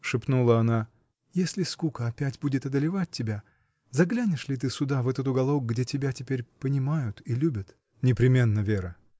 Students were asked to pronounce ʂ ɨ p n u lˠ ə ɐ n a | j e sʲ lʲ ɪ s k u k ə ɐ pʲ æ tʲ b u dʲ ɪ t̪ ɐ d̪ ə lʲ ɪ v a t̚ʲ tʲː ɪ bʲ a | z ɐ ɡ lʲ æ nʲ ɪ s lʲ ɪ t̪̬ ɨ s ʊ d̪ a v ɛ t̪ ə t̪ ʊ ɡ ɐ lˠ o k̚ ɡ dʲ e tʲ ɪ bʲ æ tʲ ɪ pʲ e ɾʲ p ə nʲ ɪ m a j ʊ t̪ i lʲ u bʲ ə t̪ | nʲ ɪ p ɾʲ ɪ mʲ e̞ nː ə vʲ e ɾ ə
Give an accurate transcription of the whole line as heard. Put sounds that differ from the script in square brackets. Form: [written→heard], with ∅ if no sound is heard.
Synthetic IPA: ʂ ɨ p n u lˠ ə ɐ n a | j e sʲ lʲ ɪ s k u k ə ɐ pʲ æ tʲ b u dʲ ɪ t̪ ɐ d̪ ə lʲ ɪ v a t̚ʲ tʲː ɪ bʲ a | z ɐ ɡ lʲ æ nʲ ɪ [s→ʂ] lʲ ɪ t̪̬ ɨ s ʊ d̪ a v ɛ t̪ ə t̪ ʊ ɡ ɐ lˠ o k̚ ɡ dʲ e tʲ ɪ bʲ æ tʲ ɪ pʲ e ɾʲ p ə nʲ ɪ m a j ʊ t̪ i lʲ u bʲ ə t̪ | nʲ ɪ p ɾʲ ɪ mʲ e̞ nː ə vʲ e ɾ ə